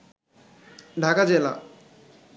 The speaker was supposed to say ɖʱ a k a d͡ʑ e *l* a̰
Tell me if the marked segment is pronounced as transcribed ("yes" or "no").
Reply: yes